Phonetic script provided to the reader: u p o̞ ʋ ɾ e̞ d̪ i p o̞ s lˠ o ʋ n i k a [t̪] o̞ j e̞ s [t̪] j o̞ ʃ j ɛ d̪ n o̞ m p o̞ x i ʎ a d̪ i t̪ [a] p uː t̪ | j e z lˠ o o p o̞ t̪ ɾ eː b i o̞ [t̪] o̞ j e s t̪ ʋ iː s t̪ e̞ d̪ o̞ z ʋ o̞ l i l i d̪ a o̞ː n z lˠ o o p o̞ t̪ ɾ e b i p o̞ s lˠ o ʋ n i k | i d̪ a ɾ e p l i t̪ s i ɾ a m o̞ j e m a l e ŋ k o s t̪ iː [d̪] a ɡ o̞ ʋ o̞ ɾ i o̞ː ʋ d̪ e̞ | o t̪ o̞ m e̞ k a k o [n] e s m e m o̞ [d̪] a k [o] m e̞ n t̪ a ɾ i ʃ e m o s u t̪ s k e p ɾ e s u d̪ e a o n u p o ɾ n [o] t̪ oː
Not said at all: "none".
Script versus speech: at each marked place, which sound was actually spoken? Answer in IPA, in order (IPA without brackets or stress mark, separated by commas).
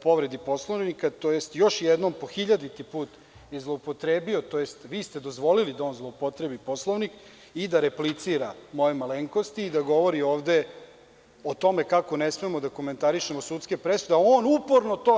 t̪, t̪, i, t̪, d̪, n, d̪, o, o